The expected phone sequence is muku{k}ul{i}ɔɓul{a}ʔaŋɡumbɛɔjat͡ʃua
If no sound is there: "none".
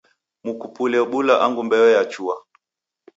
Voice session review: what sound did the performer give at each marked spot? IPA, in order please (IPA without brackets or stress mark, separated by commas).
p, ɛ, a